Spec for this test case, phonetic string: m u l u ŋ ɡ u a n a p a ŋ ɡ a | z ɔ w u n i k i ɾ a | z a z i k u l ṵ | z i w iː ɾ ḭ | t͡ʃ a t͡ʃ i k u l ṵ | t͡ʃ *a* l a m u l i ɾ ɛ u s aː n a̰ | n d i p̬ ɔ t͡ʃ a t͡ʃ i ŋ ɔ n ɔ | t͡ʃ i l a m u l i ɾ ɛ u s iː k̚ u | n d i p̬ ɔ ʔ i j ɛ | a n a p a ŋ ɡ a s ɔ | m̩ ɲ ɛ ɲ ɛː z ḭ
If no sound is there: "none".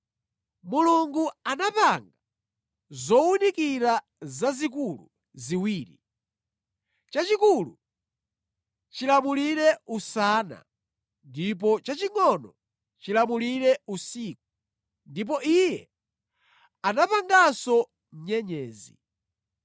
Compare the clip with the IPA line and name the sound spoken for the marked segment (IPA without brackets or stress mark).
i